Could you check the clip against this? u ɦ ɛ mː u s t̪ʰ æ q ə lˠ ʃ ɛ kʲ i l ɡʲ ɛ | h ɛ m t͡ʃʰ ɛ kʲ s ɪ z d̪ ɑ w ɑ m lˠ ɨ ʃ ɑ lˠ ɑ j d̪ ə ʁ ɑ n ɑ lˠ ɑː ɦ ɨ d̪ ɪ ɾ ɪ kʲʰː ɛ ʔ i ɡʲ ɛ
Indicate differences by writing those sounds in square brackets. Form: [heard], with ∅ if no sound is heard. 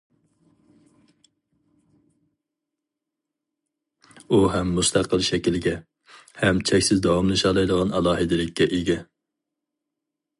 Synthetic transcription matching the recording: u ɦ ɛ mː u s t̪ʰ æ q ə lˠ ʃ ɛ kʲ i l ɡʲ ɛ | h ɛ m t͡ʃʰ ɛ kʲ s ɪ z d̪ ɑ w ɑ m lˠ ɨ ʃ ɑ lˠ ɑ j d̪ ə ʁ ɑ n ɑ lˠ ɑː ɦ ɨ d̪ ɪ [l] ɪ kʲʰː ɛ ʔ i ɡʲ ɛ